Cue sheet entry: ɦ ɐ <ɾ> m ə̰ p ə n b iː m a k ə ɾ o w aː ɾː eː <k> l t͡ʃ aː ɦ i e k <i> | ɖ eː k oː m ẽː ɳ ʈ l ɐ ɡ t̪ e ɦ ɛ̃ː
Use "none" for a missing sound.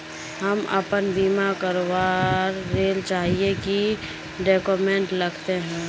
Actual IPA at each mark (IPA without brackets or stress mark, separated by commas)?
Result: none, none, i